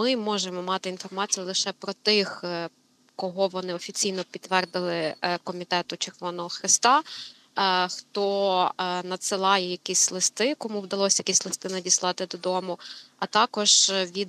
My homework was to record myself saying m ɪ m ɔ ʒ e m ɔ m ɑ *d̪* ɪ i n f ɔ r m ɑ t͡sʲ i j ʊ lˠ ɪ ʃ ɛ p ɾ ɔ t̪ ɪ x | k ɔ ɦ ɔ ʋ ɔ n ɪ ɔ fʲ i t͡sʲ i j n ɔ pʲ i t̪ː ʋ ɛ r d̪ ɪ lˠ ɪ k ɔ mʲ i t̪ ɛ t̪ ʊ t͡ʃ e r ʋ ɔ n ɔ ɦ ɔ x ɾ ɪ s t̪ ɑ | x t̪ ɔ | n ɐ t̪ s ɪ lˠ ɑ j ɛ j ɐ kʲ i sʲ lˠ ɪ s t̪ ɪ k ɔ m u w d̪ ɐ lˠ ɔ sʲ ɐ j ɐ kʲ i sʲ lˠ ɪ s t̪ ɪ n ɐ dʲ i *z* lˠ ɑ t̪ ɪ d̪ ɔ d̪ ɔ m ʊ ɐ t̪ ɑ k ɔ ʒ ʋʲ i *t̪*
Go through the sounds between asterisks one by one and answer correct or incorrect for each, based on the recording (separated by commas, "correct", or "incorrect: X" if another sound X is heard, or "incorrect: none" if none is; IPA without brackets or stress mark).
incorrect: t̪, incorrect: s, incorrect: d̪